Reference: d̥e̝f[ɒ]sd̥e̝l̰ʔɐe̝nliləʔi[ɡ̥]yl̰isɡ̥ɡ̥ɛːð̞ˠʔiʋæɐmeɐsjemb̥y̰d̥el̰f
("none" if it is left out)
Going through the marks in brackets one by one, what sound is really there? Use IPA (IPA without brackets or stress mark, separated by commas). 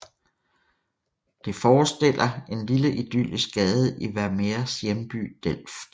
ɒː, d̥